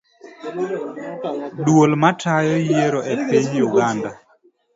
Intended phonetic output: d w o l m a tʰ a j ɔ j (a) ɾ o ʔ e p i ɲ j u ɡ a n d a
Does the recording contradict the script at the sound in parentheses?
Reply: yes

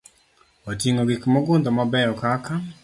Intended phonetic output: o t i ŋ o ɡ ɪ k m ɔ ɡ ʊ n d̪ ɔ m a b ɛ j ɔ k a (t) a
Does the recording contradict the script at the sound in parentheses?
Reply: yes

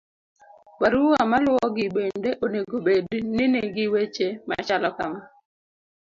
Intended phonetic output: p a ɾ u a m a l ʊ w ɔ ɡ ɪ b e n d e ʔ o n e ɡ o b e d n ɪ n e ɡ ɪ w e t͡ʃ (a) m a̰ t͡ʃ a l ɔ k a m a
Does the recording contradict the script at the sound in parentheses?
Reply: yes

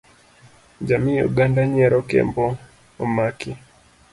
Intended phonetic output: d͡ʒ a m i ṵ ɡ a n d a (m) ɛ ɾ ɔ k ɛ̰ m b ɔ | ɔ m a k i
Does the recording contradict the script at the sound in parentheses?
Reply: yes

